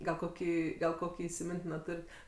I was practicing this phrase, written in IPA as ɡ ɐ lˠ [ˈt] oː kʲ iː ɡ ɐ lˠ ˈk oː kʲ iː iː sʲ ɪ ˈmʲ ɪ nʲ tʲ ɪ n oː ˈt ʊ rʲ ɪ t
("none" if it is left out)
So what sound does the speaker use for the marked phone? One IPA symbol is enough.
k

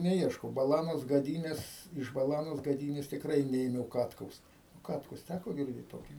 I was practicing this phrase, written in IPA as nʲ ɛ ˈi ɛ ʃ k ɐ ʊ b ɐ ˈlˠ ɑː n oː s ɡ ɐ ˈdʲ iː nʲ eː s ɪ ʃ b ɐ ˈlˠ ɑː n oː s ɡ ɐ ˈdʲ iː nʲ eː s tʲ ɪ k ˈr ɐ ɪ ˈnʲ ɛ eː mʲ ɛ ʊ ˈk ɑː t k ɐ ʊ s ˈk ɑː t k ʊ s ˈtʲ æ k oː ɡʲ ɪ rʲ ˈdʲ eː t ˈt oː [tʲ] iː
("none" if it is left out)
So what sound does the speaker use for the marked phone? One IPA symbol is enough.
kʲ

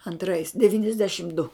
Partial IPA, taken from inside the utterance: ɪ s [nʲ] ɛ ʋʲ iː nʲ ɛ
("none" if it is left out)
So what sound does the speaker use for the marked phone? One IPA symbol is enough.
dʲ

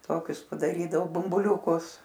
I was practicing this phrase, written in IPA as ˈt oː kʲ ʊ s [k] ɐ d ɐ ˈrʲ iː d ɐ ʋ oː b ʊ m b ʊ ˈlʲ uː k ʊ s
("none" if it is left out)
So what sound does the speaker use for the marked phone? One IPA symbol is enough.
p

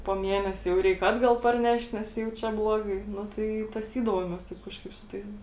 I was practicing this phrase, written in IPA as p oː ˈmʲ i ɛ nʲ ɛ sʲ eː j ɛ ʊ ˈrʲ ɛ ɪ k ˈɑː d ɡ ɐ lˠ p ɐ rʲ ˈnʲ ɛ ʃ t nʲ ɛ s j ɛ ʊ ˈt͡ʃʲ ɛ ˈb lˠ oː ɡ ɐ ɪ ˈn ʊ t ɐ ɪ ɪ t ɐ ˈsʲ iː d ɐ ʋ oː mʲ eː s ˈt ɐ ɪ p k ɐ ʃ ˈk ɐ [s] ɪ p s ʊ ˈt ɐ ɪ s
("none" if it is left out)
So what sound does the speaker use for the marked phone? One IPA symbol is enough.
none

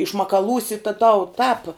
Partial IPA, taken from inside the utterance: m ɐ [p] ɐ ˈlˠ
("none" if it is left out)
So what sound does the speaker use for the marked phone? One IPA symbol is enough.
k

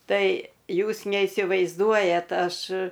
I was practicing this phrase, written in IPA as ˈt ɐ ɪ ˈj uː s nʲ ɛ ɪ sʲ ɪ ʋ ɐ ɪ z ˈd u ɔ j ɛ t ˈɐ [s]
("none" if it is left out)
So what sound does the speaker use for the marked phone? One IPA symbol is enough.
ʃ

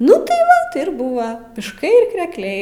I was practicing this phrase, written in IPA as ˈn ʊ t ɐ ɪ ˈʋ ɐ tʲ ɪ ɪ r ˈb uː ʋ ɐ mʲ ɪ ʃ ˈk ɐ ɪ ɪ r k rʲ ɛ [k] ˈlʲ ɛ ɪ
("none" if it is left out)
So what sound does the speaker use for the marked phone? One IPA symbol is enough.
k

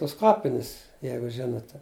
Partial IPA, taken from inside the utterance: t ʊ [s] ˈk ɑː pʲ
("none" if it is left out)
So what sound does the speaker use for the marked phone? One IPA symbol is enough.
s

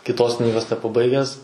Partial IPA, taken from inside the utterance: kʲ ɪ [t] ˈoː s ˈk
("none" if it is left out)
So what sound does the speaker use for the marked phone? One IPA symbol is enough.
t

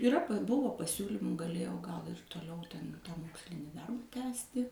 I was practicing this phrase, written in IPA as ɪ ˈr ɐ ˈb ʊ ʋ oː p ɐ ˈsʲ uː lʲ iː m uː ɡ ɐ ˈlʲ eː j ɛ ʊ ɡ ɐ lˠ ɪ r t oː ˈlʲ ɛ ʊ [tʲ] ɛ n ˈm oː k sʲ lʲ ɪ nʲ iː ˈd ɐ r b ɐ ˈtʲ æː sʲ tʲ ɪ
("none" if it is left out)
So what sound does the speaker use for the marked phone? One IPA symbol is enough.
tʲ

